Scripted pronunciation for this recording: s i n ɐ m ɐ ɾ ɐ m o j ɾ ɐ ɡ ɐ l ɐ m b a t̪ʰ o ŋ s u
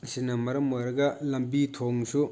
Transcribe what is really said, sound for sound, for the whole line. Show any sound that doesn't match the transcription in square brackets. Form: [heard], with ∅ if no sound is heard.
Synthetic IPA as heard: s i n ɐ m ɐ ɾ ɐ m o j ɾ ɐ ɡ ɐ l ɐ m b [i] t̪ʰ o ŋ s u